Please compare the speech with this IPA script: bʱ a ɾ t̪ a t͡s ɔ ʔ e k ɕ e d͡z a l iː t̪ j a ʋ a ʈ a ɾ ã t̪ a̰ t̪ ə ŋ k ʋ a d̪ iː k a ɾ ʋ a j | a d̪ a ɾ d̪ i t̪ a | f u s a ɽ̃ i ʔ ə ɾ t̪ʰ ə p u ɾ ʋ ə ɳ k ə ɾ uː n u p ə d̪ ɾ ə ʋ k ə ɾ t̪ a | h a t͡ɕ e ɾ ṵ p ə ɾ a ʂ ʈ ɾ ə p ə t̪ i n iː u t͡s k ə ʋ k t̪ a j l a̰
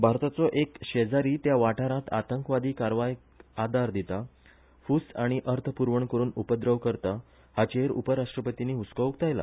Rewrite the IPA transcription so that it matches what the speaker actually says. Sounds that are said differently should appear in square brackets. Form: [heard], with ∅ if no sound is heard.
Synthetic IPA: bʱ a ɾ t̪ a t͡s ɔ ʔ e k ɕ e d͡z a [ɾ] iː t̪ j a ʋ a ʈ a ɾ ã t̪ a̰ t̪ ə ŋ k ʋ a d̪ iː k a ɾ ʋ a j | a d̪ a ɾ d̪ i t̪ a | f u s a ɽ̃ i ʔ ə ɾ t̪ʰ ə p u ɾ ʋ ə ɳ k ə ɾ uː n u p ə d̪ ɾ ə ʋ k ə ɾ t̪ a | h a t͡ɕ e ɾ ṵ p ə ɾ a ʂ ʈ ɾ ə p ə t̪ i n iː u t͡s k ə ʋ k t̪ a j l a̰